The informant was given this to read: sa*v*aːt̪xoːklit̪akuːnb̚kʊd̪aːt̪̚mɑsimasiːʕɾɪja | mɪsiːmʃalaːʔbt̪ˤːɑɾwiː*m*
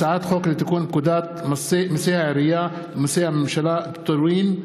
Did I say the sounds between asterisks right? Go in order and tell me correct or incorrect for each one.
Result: incorrect: ʕ, incorrect: n

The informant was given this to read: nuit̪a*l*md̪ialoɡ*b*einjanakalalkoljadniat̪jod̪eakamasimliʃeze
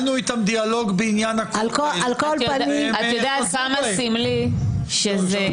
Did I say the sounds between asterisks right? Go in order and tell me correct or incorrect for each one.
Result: incorrect: none, correct

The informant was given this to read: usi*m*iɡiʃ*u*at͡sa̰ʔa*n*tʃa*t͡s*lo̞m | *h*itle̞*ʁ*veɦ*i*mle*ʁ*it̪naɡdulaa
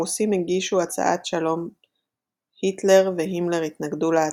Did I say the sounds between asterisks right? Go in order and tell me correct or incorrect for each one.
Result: correct, correct, incorrect: none, incorrect: none, correct, correct, correct, correct

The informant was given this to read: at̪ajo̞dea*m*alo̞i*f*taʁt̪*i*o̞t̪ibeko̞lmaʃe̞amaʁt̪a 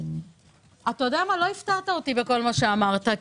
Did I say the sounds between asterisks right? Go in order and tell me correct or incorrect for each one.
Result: correct, correct, incorrect: a

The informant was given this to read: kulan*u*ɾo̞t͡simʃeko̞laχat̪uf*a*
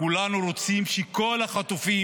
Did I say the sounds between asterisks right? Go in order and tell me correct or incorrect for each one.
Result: correct, incorrect: i

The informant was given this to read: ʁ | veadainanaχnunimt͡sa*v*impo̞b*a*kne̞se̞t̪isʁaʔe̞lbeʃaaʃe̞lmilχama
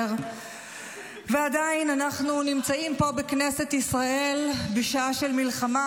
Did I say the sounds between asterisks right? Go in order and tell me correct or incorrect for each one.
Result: incorrect: none, incorrect: e

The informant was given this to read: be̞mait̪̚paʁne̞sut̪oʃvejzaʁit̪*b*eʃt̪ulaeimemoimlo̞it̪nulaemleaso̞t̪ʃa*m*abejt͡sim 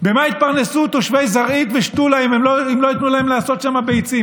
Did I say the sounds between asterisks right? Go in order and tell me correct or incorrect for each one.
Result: incorrect: v, correct

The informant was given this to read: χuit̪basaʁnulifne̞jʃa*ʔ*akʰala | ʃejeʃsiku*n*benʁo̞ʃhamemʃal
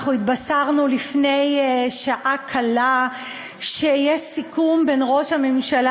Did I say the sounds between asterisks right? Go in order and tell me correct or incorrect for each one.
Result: correct, incorrect: m

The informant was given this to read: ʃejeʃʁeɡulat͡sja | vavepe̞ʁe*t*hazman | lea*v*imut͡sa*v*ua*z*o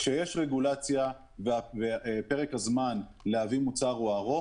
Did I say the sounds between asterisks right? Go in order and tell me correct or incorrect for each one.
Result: incorrect: k, correct, incorrect: ʁ, incorrect: ʁ

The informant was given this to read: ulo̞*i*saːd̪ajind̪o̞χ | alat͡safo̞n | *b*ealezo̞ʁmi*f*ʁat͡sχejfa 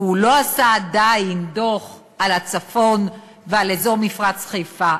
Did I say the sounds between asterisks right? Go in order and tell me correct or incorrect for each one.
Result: incorrect: a, incorrect: v, correct

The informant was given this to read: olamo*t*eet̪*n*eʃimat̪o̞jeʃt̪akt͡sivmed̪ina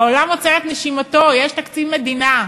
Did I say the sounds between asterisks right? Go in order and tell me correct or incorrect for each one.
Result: incorrect: t͡s, correct

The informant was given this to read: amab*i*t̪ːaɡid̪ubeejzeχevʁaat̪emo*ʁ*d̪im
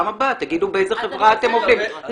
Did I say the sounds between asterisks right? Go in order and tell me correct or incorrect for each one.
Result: incorrect: a, incorrect: v

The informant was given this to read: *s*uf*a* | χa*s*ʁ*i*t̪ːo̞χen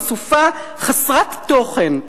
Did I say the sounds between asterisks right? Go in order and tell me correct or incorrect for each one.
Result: correct, correct, correct, incorrect: a

